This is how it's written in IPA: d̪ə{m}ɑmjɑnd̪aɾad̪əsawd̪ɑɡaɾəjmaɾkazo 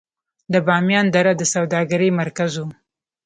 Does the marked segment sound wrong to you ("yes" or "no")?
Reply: yes